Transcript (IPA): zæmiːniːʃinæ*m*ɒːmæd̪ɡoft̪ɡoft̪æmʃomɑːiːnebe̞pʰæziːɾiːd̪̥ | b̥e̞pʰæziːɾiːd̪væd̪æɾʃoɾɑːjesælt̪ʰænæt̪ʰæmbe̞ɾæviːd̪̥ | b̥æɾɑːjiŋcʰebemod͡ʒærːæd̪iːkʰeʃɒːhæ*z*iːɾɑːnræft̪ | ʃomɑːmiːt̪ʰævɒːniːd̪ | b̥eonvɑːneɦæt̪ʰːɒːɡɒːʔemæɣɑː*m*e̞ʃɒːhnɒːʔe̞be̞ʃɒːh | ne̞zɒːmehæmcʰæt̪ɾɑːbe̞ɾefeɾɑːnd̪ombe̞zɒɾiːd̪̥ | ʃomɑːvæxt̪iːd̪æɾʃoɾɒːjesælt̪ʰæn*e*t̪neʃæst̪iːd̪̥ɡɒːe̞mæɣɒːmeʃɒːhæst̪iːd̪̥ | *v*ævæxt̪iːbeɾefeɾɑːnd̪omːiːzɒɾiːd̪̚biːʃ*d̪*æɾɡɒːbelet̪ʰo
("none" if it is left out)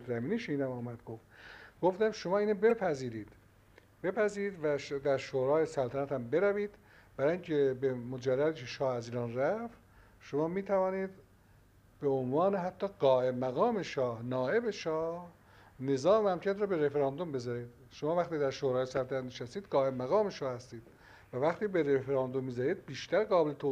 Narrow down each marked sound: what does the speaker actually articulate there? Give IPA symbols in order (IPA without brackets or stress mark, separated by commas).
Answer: m, z, m, æ, v, t̪